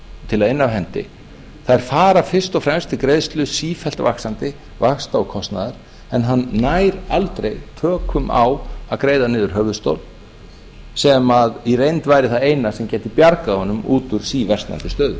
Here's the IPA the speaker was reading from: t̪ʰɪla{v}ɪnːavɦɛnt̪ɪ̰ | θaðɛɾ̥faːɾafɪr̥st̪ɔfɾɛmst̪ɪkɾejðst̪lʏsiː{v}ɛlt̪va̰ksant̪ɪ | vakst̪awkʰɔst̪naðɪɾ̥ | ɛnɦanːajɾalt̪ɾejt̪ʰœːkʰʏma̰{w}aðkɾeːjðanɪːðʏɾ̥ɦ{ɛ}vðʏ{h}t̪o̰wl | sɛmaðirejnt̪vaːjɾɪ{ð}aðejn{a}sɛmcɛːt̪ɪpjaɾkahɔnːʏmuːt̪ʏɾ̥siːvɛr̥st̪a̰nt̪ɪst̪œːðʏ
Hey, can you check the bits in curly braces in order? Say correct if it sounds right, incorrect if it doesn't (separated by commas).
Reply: incorrect, incorrect, correct, incorrect, incorrect, incorrect, correct